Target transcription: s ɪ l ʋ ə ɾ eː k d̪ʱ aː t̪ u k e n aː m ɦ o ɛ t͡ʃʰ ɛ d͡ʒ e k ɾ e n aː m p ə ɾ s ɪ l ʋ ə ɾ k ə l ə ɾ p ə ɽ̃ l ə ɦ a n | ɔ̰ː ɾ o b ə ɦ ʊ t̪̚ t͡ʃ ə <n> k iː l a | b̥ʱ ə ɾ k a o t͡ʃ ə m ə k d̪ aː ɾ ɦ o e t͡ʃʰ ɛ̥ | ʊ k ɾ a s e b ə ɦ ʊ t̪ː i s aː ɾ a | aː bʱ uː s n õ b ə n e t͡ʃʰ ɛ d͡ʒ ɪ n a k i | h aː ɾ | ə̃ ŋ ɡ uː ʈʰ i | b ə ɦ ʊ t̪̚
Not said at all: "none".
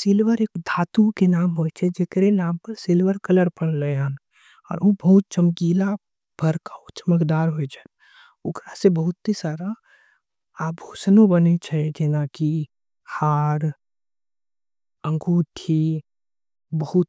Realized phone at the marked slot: m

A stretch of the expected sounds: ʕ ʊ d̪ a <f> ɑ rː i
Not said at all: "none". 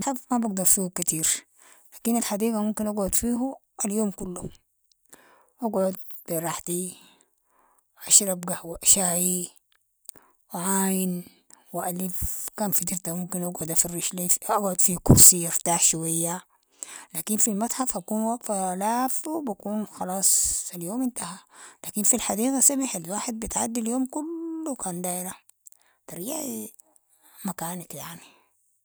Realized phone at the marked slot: f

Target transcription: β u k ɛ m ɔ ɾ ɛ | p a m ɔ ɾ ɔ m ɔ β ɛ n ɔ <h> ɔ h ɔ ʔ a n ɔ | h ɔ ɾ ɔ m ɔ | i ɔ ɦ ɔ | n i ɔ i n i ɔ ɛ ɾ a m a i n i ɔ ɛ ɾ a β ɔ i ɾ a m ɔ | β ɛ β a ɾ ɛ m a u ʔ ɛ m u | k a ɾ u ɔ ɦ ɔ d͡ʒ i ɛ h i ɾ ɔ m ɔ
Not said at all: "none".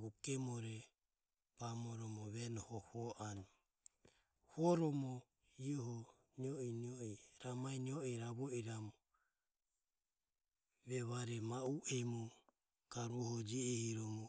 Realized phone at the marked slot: h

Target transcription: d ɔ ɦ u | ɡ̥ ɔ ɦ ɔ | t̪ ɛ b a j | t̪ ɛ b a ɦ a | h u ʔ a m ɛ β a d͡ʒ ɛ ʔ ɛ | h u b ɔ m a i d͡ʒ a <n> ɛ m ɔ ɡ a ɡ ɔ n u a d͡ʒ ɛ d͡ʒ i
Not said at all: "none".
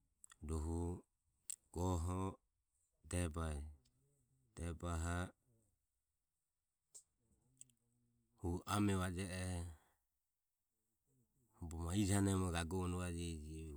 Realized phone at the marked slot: n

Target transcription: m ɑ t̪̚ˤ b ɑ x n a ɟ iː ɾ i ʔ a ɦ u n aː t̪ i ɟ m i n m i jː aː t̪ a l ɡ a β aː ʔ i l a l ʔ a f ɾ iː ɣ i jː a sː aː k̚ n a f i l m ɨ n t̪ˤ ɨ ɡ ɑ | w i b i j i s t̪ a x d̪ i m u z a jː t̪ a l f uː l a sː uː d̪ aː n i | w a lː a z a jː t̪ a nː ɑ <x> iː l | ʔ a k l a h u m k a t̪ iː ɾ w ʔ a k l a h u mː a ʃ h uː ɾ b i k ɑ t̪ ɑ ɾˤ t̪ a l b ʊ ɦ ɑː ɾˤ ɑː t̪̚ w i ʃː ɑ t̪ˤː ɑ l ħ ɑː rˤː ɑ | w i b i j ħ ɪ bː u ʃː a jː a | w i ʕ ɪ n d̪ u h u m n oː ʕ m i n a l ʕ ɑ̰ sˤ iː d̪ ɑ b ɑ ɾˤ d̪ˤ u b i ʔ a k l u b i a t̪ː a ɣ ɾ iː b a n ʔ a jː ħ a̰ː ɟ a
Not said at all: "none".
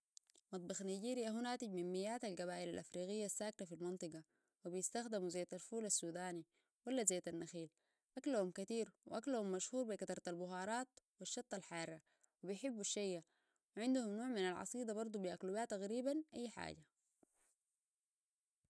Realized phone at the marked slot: x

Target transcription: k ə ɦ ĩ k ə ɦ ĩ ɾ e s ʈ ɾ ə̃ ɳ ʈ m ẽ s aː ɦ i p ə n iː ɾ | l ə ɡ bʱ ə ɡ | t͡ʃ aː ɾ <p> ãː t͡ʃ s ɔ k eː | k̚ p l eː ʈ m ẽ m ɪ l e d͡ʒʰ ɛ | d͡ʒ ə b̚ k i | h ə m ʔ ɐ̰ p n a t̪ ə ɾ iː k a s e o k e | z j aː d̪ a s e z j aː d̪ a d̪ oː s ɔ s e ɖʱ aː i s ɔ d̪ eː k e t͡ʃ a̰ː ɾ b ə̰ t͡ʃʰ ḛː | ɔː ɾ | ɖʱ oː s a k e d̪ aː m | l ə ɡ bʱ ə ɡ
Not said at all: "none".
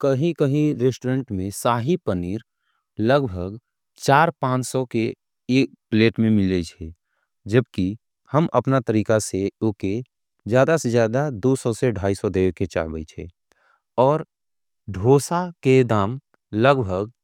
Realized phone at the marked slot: p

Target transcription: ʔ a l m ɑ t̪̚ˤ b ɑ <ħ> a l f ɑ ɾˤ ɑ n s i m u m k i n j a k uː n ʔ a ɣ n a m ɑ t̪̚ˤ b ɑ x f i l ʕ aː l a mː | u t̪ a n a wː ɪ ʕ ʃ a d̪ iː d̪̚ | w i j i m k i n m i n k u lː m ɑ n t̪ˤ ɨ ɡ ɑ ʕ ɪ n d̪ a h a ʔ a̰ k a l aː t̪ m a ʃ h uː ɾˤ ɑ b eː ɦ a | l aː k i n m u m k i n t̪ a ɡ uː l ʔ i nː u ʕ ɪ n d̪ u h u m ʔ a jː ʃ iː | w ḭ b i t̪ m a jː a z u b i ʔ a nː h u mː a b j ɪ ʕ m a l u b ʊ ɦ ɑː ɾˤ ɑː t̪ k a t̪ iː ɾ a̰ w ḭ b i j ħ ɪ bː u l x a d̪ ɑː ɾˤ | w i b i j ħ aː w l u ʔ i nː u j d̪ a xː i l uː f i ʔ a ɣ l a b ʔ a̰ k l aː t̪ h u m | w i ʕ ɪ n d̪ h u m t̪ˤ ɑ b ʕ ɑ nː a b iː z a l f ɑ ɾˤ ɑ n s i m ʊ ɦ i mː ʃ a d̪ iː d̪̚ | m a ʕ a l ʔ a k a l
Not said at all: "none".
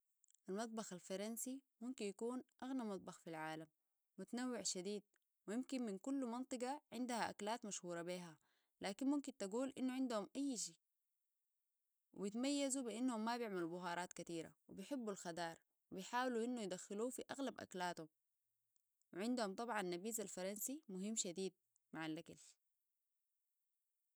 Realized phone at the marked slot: x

